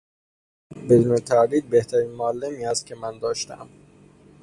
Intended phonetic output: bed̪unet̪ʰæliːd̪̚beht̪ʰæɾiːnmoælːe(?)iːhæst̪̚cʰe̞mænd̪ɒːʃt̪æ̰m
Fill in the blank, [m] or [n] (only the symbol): m